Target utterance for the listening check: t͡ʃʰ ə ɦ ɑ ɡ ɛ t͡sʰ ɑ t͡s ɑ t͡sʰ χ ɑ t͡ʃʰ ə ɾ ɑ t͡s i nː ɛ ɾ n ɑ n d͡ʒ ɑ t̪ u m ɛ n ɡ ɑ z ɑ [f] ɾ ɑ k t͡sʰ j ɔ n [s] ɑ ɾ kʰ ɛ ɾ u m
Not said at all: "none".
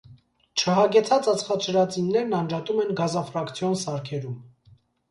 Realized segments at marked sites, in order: f, s

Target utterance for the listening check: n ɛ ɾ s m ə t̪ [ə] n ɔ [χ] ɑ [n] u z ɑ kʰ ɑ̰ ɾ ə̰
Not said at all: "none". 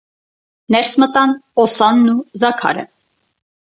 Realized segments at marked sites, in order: ɑ, s, nː

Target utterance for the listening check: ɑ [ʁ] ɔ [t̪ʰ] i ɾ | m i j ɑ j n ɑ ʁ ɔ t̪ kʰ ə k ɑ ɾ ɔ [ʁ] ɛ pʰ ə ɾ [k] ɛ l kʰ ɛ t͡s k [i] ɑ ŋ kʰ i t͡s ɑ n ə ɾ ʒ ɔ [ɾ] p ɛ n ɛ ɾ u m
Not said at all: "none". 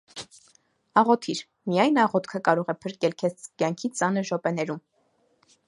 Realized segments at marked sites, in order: ʁ, t̪ʰ, ʁ, k, j, none

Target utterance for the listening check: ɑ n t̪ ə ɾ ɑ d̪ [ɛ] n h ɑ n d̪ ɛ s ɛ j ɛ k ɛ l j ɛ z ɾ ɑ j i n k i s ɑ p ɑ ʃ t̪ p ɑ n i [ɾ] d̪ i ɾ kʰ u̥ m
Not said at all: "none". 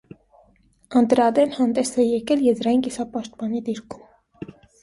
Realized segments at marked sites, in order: ɛ, none

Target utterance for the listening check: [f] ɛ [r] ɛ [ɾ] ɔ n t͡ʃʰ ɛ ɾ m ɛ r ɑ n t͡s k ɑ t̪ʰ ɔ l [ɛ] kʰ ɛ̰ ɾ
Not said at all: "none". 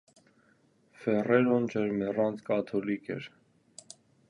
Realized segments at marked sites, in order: f, r, ɾ, i

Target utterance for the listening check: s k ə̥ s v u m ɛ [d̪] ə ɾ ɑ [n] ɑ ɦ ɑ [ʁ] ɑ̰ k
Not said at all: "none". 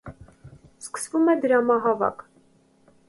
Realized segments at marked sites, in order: d̪, m, v

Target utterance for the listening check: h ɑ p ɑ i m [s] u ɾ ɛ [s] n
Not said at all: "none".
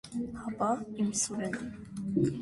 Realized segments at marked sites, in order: s, none

